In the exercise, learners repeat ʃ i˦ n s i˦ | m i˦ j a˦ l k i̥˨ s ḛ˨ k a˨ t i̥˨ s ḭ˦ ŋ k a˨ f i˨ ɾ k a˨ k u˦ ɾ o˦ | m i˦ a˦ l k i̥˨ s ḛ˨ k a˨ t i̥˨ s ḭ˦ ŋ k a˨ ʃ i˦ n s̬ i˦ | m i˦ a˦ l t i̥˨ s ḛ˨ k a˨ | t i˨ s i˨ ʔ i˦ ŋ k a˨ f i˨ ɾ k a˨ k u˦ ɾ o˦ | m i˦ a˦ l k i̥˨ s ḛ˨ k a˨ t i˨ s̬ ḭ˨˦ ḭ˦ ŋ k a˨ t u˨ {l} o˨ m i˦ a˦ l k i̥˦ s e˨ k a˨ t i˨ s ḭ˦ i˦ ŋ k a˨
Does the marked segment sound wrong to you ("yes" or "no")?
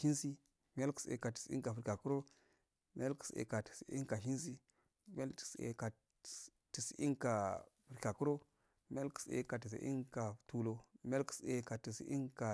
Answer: no